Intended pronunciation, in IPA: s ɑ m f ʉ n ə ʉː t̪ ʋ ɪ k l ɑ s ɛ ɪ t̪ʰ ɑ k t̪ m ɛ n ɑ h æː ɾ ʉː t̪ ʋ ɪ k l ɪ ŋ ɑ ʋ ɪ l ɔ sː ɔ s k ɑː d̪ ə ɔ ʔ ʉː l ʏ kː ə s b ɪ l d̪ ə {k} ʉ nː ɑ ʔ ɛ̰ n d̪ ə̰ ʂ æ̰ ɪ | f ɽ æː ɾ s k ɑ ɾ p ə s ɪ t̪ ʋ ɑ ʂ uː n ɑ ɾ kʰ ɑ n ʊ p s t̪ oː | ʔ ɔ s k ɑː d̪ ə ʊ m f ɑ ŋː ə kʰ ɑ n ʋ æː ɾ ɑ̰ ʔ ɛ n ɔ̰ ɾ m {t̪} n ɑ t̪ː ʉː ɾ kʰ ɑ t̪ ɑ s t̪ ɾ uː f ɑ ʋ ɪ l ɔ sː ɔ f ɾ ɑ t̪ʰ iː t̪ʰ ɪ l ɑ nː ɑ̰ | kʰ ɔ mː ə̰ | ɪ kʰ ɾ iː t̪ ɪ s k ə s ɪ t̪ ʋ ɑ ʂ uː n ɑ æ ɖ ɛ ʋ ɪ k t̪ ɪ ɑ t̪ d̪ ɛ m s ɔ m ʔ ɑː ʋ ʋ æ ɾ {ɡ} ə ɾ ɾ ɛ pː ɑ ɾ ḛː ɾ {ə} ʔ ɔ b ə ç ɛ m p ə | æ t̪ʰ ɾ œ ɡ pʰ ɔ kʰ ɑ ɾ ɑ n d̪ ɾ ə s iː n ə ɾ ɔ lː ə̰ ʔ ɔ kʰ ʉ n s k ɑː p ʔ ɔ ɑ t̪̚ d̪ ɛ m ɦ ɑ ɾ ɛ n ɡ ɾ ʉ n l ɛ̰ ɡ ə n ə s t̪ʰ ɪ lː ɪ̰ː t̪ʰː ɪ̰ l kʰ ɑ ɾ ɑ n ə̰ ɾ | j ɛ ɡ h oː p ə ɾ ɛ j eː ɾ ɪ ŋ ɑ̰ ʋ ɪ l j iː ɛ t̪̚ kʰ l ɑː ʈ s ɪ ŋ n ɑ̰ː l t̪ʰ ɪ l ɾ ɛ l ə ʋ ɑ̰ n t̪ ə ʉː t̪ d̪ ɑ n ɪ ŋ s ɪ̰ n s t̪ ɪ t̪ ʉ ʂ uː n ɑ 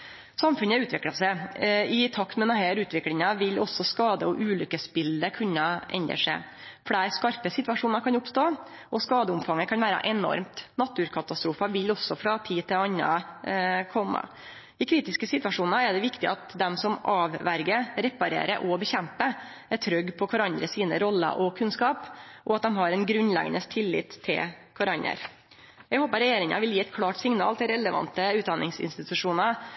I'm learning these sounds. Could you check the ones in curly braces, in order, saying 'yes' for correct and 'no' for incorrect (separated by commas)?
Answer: no, yes, yes, yes